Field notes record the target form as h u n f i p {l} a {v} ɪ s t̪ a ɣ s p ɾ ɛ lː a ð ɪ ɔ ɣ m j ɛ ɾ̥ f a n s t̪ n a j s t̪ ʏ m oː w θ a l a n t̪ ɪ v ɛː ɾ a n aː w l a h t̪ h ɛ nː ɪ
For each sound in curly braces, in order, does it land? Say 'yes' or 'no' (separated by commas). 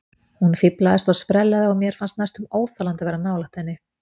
yes, no